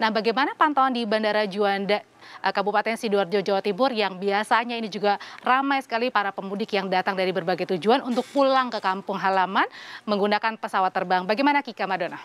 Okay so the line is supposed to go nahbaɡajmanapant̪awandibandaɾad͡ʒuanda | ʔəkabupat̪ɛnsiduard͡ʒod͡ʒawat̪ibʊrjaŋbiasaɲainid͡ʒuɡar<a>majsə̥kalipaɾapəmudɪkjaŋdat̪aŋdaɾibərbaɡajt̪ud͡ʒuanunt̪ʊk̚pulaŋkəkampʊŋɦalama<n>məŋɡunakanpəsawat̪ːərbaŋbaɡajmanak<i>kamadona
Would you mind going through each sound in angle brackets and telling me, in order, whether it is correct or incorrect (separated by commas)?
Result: correct, correct, correct